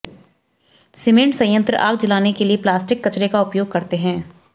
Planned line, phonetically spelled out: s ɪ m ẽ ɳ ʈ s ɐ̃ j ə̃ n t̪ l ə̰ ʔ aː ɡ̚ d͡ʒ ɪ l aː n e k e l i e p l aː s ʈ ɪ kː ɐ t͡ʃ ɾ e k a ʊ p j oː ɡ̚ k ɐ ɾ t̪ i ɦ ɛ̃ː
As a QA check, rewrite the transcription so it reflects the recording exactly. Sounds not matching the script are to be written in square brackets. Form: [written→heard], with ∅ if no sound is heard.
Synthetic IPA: s ɪ m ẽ ɳ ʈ s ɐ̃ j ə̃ n t̪ [l→ɾ] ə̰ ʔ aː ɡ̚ d͡ʒ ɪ l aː n e k e l i e p l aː s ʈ ɪ kː ɐ t͡ʃ ɾ e k a ʊ p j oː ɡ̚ k ɐ ɾ t̪ [i→e] ɦ ɛ̃ː

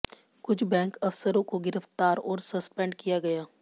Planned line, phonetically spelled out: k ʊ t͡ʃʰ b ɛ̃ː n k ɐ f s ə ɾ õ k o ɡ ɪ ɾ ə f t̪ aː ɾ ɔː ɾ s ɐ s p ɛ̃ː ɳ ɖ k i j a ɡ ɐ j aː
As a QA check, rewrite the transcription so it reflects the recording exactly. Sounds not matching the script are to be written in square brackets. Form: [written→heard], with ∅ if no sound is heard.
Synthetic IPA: k ʊ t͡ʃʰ b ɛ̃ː [n→ŋ] k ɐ f s ə ɾ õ k o ɡ ɪ ɾ ə f t̪ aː ɾ ɔː ɾ s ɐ s p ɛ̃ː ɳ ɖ k i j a ɡ ɐ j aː

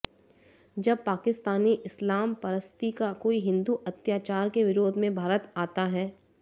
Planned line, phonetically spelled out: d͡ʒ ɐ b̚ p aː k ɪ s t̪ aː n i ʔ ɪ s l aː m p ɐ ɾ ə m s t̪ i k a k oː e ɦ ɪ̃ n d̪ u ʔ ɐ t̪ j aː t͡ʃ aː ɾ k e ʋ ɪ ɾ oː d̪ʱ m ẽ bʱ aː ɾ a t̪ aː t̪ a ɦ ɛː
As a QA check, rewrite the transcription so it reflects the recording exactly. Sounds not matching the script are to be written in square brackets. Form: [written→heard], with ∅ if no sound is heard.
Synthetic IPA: d͡ʒ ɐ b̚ p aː k ɪ s t̪ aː n i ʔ ɪ s l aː m p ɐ ɾ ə [m→∅] s t̪ i k a k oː [e→i] ɦ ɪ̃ n d̪ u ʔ ɐ t̪ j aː t͡ʃ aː ɾ k e ʋ ɪ ɾ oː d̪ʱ m ẽ bʱ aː ɾ [a→ə] t̪ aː t̪ a ɦ ɛː

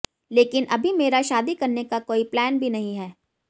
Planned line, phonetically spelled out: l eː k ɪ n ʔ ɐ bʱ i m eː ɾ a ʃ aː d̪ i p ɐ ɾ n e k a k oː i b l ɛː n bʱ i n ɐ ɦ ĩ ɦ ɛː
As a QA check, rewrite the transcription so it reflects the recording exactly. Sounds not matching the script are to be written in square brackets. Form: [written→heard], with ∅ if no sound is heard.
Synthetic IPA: l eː k ɪ n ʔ ɐ bʱ i m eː ɾ a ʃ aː d̪ i [p→k] ɐ ɾ n e k a k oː i [b→p] l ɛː n bʱ i n ɐ ɦ ĩ ɦ ɛː

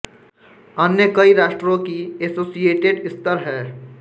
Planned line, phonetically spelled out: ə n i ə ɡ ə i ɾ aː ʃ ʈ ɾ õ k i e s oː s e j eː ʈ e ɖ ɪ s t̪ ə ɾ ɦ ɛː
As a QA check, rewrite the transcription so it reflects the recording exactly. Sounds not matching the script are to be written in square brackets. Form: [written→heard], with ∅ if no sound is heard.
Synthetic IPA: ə n [i→j] ə [ɡ→k] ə i ɾ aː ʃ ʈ ɾ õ k i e s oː s [e→i] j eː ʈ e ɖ ɪ s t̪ ə ɾ ɦ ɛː

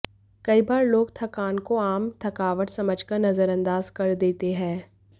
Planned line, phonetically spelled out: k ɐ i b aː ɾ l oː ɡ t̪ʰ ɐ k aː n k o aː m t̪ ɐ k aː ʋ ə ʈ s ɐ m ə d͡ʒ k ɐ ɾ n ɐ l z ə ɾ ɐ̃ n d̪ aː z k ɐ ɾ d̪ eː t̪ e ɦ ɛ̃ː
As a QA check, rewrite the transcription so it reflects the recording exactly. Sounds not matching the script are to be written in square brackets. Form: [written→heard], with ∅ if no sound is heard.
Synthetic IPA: k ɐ i b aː ɾ l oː ɡ t̪ʰ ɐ k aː n k o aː m [t̪→t̪ʰ] ɐ k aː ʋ ə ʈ s ɐ m ə d͡ʒ k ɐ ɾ n ɐ [l→∅] z ə ɾ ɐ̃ n d̪ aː z k ɐ ɾ d̪ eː t̪ e ɦ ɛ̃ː

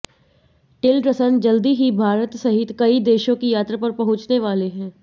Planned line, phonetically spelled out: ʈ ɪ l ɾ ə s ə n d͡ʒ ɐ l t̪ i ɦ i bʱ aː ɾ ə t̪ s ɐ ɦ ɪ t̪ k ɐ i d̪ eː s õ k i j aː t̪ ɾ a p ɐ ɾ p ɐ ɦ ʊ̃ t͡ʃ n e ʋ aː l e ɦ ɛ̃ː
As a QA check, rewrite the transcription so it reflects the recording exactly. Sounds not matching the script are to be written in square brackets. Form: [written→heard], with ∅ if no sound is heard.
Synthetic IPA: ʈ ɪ l ɾ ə s ə n d͡ʒ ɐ l [t̪→d̪] i ɦ i bʱ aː ɾ ə t̪ s ɐ ɦ ɪ t̪ k ɐ i d̪ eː [s→ʃ] õ k i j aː t̪ ɾ a p ɐ ɾ p ɐ ɦ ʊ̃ t͡ʃ n e ʋ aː l e ɦ ɛ̃ː

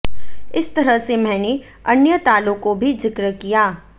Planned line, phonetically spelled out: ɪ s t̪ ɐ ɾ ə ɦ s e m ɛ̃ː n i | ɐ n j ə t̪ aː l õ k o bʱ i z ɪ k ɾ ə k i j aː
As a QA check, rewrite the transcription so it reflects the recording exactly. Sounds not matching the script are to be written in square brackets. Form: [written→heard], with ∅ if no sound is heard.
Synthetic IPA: ɪ s t̪ ɐ ɾ ə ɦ s e m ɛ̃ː n [i→e] | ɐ n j ə t̪ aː l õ k o bʱ i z ɪ k ɾ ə k i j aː

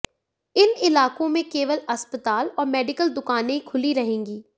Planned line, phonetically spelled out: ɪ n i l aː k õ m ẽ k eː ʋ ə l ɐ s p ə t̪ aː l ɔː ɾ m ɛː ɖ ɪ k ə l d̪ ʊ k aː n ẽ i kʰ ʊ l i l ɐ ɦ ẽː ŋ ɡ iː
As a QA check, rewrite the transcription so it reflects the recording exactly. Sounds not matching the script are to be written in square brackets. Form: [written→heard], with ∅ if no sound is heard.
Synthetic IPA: ɪ n [i→ɪ] l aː k õ m ẽ k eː ʋ ə l ɐ s p ə t̪ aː l ɔː ɾ m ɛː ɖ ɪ k ə l d̪ ʊ k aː n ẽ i kʰ ʊ l i [l→ɾ] ɐ ɦ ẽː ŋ ɡ iː

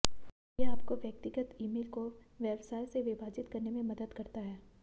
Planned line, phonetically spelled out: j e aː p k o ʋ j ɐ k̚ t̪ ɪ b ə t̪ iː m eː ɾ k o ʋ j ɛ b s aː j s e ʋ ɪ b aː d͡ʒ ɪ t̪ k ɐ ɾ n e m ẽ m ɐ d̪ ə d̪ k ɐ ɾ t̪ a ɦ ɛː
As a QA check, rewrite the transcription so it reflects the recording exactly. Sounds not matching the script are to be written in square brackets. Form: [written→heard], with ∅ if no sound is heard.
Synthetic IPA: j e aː p k o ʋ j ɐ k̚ t̪ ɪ [b→ɡ] ə t̪ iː m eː [ɾ→l] k o ʋ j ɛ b s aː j s e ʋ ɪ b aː d͡ʒ ɪ t̪ k ɐ ɾ n e m ẽ m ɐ d̪ ə d̪ k ɐ ɾ t̪ a ɦ ɛː

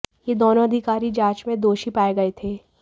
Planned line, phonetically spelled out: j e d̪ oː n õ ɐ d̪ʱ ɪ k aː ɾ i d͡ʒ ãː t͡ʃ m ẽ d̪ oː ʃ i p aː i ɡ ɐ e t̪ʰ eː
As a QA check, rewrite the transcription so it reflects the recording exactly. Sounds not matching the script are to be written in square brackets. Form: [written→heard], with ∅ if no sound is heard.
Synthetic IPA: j e d̪ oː n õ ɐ d̪ʱ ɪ k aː ɾ i d͡ʒ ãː t͡ʃ m ẽ d̪ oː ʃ i p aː [i→e] ɡ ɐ e t̪ʰ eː

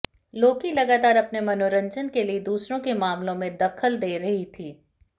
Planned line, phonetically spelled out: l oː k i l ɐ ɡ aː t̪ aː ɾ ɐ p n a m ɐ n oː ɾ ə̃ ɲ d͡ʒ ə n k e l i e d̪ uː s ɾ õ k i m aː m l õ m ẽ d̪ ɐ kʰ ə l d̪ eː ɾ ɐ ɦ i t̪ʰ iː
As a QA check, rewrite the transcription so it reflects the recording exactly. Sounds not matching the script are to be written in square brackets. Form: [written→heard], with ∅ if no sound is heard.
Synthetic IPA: l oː k i l ɐ ɡ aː t̪ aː ɾ ɐ p n [a→e] m ɐ n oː ɾ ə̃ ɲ d͡ʒ ə n k e l i e d̪ uː s ɾ õ k [i→e] m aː m l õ m ẽ d̪ ɐ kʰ ə l d̪ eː ɾ ɐ ɦ i t̪ʰ iː

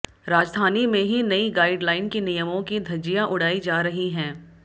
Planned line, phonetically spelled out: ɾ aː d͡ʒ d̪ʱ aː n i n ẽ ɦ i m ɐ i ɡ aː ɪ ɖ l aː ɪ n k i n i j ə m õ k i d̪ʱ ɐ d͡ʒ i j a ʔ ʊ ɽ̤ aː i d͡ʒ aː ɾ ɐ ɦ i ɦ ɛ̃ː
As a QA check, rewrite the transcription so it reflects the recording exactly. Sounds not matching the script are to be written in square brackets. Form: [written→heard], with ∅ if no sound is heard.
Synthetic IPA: ɾ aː d͡ʒ d̪ʱ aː n i [n→m] ẽ ɦ i [m→n] ɐ i ɡ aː ɪ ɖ l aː ɪ n k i n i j ə m õ k i d̪ʱ ɐ d͡ʒ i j a ʔ ʊ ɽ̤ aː i d͡ʒ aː ɾ ɐ ɦ i ɦ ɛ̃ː

